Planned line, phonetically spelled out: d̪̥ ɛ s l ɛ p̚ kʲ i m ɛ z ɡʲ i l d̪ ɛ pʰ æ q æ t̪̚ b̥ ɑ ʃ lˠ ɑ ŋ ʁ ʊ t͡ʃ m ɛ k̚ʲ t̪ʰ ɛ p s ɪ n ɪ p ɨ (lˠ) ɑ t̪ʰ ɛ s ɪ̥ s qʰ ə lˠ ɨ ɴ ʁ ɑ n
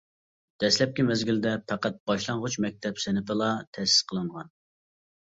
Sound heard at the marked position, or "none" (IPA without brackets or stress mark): lˠ